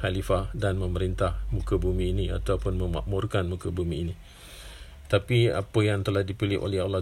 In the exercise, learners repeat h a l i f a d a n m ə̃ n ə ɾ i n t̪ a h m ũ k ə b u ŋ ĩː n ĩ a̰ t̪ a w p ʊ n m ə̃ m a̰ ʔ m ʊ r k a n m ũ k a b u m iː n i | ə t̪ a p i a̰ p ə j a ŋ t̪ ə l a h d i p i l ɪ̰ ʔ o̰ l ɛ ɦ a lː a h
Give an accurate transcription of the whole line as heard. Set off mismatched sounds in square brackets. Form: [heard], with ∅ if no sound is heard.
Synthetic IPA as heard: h a l i f a d a n m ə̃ [m] ə ɾ i n t̪ a h m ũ k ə b u [m] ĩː n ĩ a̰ t̪ a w p ʊ n m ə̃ m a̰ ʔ m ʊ r k a n m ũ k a b u m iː n i | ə t̪ a p i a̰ p ə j a ŋ t̪ ə l a h d i p i l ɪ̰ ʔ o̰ l ɛ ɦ a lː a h